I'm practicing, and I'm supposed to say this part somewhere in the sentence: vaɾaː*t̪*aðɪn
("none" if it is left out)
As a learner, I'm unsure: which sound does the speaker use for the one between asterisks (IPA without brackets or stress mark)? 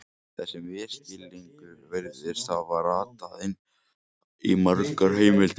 t̪